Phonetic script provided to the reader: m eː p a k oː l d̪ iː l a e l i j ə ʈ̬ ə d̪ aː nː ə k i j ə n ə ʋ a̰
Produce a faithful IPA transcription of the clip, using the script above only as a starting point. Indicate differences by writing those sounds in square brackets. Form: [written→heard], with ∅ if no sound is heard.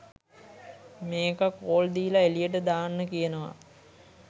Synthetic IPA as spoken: m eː [p→k] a k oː l d̪ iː l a e l i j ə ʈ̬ ə d̪ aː nː ə k i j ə n ə ʋ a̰